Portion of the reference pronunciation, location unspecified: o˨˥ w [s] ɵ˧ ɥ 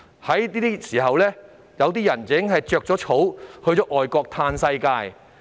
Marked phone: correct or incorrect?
incorrect